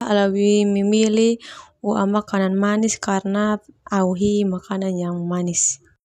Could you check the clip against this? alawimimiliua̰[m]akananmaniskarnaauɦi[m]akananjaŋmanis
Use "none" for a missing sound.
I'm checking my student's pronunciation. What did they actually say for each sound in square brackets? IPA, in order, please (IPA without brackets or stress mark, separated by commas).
m, m